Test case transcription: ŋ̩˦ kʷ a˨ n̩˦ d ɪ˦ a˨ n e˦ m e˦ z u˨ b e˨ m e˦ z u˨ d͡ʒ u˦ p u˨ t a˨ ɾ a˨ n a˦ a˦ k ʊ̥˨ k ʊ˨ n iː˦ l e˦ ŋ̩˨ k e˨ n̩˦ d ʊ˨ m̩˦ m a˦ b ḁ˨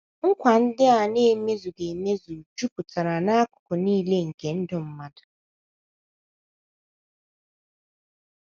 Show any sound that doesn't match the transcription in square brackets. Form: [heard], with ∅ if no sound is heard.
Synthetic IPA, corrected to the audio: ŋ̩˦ kʷ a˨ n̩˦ d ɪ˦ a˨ n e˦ m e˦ z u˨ [ɡ] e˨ m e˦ z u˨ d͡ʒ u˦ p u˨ t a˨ ɾ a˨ n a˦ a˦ k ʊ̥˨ k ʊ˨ n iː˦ l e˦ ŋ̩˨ k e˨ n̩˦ d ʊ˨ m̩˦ m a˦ [d] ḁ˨

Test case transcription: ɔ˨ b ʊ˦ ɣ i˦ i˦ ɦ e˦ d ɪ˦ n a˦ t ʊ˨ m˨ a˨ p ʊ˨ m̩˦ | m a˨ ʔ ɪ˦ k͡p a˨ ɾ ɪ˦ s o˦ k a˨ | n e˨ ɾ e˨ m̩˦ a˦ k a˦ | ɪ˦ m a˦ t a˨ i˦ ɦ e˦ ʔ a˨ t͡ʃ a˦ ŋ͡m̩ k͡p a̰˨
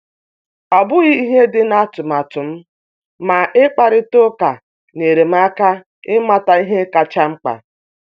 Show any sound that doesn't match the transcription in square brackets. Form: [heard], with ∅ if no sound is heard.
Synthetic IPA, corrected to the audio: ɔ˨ b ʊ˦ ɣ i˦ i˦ ɦ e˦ d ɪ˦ n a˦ t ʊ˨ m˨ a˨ [t] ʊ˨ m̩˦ | m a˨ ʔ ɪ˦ k͡p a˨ ɾ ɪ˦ [t] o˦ k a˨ | n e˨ ɾ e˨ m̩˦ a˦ k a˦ | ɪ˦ m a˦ t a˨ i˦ ɦ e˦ [k] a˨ t͡ʃ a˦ ŋ͡m̩ k͡p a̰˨

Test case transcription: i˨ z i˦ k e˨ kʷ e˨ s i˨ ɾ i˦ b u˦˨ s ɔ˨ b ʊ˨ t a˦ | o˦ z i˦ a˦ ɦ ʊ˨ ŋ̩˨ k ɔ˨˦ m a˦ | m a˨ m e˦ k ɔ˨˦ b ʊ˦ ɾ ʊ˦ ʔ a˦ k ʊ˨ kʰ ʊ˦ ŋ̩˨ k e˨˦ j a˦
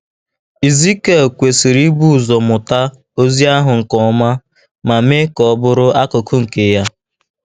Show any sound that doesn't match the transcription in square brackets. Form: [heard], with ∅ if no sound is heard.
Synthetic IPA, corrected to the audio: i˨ z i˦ k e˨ kʷ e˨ s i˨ ɾ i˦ b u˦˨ [z] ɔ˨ [m] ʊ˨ t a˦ | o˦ z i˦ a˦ ɦ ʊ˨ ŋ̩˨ k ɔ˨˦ m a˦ | m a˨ m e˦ k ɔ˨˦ b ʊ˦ ɾ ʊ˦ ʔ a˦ k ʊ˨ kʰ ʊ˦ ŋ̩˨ k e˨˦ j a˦

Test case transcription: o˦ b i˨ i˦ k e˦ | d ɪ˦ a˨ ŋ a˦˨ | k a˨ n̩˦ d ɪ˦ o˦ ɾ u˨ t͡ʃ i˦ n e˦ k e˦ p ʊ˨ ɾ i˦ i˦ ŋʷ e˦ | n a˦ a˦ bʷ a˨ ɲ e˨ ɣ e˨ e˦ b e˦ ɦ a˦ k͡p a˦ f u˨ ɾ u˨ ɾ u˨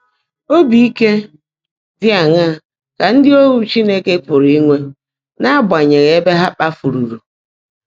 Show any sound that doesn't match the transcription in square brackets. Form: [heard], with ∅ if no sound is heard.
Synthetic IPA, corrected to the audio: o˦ b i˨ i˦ k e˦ | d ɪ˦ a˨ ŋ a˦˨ | k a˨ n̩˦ d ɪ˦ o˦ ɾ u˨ t͡ʃ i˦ n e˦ k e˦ p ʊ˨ ɾ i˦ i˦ ŋʷ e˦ | n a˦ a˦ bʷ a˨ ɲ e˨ ɣ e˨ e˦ b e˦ ɦ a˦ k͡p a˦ f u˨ ɾ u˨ ɾ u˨

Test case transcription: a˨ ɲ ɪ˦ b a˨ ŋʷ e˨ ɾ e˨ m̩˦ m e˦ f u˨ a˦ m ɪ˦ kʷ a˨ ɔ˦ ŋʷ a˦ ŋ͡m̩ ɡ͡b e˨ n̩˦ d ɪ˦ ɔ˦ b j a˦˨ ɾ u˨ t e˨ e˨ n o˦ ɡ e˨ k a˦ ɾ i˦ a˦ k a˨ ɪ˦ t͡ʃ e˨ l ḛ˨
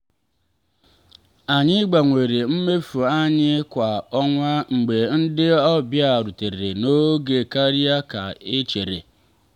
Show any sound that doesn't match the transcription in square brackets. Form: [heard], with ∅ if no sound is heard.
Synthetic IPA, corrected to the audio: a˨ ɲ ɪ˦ [ɡ͡b] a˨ ŋʷ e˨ ɾ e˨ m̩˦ m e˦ f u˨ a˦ [ɲ] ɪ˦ kʷ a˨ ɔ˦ ŋʷ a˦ ŋ͡m̩ ɡ͡b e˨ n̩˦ d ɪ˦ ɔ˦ b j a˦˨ ɾ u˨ t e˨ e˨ n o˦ ɡ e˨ k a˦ ɾ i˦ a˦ k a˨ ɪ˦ t͡ʃ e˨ [ɾ] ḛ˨

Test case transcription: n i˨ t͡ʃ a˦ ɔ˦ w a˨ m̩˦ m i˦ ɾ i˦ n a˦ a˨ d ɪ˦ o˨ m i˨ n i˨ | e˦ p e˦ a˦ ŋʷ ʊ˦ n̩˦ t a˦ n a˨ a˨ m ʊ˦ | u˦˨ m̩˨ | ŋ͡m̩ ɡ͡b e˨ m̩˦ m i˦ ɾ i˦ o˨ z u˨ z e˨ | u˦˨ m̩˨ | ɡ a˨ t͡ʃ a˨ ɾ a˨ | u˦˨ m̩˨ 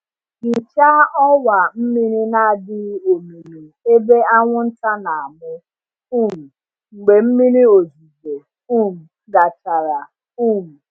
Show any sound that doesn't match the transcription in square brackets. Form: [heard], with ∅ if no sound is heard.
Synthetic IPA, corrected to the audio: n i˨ t͡ʃ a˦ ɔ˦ w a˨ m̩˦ m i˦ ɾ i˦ n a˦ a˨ d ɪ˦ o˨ m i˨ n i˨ | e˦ [b] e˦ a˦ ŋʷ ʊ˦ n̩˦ t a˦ n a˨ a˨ m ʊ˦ | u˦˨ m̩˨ | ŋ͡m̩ ɡ͡b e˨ m̩˦ m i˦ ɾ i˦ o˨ z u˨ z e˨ | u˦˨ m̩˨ | ɡ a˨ t͡ʃ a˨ ɾ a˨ | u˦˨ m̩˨

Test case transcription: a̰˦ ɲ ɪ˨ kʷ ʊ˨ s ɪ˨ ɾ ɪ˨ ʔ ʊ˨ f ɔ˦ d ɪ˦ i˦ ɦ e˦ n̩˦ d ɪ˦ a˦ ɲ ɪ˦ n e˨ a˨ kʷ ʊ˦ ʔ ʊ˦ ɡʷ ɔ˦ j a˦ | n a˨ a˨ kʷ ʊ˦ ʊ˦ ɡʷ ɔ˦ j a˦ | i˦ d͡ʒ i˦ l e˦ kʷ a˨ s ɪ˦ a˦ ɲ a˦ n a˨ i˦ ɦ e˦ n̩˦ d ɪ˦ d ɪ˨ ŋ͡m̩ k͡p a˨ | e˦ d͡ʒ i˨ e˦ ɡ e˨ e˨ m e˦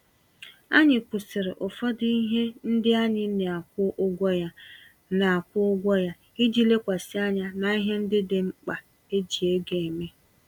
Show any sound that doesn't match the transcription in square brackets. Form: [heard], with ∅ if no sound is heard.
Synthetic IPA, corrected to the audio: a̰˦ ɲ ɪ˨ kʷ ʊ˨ s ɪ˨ ɾ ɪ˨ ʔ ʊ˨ f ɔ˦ d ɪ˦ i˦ ɦ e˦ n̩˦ d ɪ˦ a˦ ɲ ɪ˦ n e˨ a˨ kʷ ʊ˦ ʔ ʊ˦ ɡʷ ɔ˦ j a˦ | n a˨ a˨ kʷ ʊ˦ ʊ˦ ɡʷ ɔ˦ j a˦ | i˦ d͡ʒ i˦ l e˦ kʷ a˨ s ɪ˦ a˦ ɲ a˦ n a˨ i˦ ɦ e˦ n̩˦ d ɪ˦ d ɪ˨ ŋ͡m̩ k͡p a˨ | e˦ d͡ʒ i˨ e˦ ɡ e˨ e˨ m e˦

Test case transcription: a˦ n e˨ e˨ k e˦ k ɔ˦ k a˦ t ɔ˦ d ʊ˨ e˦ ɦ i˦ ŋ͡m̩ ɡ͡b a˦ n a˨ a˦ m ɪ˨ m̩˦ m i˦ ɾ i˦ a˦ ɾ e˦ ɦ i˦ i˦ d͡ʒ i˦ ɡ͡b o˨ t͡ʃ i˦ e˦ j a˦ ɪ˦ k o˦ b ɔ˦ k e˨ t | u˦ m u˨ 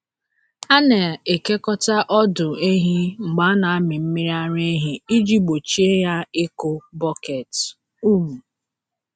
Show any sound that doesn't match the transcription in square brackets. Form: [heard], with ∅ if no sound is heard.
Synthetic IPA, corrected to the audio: a˦ n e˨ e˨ k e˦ k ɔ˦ [t] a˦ [ʔ] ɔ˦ d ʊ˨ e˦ ɦ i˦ ŋ͡m̩ ɡ͡b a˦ n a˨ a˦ m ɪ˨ m̩˦ m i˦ ɾ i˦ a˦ ɾ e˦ ɦ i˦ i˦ d͡ʒ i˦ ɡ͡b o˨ t͡ʃ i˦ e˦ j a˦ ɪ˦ k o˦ b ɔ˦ k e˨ t | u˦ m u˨

